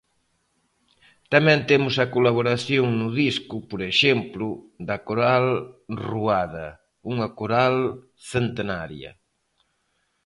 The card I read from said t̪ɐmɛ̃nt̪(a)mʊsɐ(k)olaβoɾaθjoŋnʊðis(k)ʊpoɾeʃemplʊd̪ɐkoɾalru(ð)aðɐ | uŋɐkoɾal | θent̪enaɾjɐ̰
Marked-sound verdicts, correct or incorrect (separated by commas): incorrect, correct, correct, incorrect